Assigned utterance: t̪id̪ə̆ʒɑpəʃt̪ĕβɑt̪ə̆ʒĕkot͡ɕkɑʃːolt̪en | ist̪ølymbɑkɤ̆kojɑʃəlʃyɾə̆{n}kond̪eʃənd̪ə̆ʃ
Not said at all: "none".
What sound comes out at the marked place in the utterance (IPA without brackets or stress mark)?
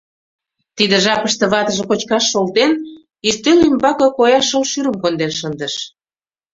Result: m